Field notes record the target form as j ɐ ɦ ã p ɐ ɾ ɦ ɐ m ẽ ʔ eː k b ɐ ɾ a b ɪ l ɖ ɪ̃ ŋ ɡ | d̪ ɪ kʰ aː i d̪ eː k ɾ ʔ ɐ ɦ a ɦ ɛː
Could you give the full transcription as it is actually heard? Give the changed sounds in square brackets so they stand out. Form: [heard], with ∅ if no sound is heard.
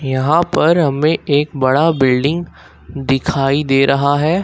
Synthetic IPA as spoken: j ɐ ɦ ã p ɐ ɾ ɦ ɐ m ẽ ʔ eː k b ɐ [ɽ] a b ɪ l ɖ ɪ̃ ŋ ɡ | d̪ ɪ kʰ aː i d̪ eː [∅] ɾ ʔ ɐ ɦ a ɦ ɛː